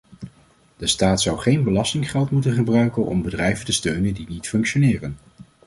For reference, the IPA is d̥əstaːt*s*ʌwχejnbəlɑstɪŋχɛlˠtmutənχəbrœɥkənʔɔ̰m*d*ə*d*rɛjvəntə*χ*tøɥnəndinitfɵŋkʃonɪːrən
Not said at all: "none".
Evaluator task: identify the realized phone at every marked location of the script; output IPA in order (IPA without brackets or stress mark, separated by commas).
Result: s, b, d, s